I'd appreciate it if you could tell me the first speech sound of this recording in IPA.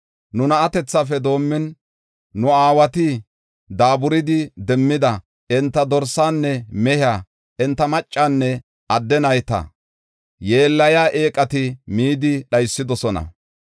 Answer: n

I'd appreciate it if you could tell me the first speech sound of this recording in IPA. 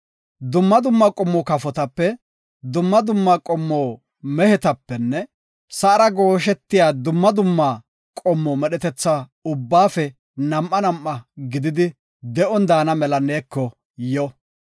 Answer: d̪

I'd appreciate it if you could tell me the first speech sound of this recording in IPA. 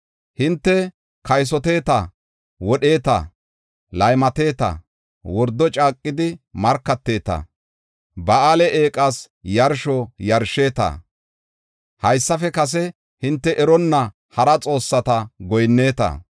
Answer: h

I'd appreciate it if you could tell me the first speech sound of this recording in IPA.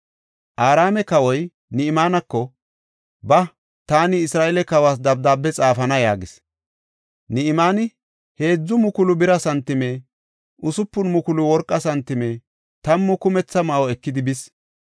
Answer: ʔ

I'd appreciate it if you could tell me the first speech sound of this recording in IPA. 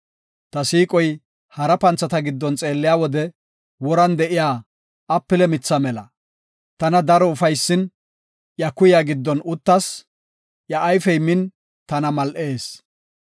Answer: t̪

